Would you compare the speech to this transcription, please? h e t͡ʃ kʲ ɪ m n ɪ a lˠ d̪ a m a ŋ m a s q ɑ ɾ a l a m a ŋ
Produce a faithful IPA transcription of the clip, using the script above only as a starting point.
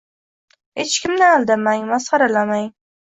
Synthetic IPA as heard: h e t͡ʃ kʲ ɪ m n ɪ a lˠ d̪ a m a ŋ m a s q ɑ ɾ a l a m a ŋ